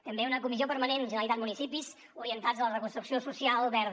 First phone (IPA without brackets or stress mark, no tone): t̪